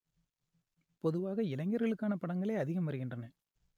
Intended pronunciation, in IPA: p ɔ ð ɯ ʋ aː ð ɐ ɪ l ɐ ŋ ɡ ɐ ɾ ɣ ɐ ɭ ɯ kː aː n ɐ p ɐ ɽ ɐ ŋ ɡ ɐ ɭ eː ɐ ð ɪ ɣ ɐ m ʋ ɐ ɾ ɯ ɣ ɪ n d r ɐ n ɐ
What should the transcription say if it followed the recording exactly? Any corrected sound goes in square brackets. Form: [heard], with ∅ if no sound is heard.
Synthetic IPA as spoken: p ɔ ð ɯ ʋ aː [ɣ] ɐ ɪ l ɐ ŋ ɡ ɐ ɾ ɣ ɐ ɭ ɯ kː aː n ɐ p ɐ ɽ ɐ ŋ ɡ ɐ ɭ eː ɐ ð ɪ ɣ ɐ m ʋ ɐ ɾ ɯ ɣ ɪ n d r ɐ n ɐ